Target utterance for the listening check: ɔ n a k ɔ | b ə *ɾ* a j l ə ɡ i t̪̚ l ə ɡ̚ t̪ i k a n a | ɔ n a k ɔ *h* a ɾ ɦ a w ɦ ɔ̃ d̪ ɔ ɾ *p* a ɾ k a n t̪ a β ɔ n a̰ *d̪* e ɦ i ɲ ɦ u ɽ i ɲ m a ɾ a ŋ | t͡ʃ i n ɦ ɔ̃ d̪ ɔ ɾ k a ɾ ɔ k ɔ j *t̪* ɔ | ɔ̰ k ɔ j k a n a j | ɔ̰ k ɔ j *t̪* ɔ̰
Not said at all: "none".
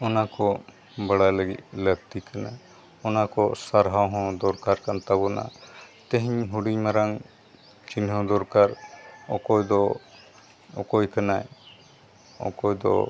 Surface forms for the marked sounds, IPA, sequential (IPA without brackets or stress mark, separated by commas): ɽ, s, k, t̪, d̪, d̪